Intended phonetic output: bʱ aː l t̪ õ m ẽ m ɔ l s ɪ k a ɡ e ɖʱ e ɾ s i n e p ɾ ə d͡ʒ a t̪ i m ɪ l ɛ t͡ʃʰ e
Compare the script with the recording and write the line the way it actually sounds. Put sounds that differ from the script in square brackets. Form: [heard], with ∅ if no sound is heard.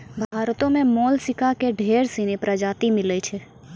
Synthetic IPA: bʱ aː [ɾ] t̪ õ m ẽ m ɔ l s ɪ k a [k] e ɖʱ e ɾ s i n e p ɾ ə d͡ʒ a t̪ i m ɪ l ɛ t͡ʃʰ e